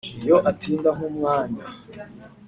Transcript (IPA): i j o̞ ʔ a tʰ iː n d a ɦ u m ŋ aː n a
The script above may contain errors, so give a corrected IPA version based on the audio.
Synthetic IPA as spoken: i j o̞ ʔ a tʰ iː n d a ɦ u m ŋ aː ɲ a